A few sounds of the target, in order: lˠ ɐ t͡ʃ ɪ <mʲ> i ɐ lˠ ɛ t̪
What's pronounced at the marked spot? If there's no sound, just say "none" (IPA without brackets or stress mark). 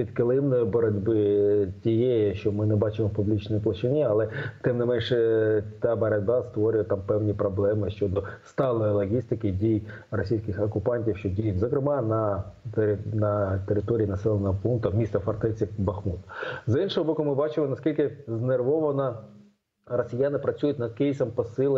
nʲ